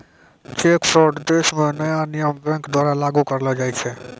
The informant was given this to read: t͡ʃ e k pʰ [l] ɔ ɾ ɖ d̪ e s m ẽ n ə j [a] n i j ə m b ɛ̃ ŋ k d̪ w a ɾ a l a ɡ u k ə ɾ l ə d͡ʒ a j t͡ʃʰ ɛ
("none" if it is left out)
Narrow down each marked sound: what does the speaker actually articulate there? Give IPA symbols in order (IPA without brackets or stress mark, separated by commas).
ɾ, a